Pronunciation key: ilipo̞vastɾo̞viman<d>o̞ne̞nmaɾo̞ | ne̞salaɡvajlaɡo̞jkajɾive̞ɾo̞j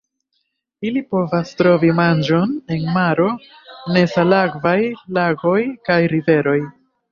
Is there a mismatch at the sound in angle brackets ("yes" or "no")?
yes